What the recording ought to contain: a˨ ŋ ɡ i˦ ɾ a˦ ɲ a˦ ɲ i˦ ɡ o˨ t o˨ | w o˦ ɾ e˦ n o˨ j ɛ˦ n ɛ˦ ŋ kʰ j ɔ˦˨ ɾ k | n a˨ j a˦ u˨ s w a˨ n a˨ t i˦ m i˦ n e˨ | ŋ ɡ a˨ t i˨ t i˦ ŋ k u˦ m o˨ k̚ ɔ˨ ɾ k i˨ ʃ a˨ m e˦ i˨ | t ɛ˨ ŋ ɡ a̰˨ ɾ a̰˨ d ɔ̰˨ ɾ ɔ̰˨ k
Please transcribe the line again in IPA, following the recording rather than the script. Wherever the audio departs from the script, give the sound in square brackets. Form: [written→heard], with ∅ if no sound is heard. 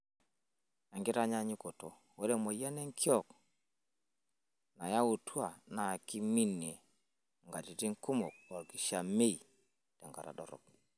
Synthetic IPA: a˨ ŋ ɡ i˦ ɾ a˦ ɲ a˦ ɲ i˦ [ɡ→k] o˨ t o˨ | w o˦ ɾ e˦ [n→m] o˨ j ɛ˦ n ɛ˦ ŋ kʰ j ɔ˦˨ [ɾ→∅] k | n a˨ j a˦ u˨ [s→t] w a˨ n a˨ [t→k] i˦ m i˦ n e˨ | ŋ ɡ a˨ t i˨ t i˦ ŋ k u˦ m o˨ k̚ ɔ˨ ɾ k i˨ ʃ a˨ m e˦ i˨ | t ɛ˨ ŋ ɡ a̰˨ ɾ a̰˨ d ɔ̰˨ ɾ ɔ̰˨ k